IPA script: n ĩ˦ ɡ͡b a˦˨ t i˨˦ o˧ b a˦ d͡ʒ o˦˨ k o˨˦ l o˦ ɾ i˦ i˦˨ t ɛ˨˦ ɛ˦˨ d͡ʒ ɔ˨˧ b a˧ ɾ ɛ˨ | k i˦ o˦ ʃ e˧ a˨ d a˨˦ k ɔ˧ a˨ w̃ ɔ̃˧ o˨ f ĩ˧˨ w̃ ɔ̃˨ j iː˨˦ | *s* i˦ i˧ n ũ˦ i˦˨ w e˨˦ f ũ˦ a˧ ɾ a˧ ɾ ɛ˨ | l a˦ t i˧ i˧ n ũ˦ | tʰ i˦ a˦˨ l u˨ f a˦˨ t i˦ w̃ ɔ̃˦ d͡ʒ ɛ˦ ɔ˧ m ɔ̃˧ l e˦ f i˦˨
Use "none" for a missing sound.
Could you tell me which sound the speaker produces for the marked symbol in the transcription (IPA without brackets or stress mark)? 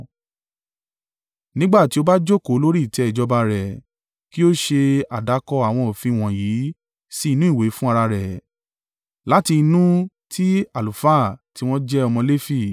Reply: s